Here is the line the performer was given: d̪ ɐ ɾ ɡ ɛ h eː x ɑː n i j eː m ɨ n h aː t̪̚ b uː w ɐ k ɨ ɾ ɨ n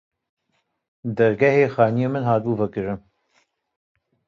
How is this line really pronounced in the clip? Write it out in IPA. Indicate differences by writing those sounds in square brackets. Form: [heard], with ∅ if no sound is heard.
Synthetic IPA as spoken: d̪ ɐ ɾ ɡ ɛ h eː x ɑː n i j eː m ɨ n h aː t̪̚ b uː [v] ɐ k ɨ ɾ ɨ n